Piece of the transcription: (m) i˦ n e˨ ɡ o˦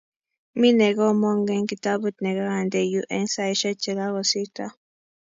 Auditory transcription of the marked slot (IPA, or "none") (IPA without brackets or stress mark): m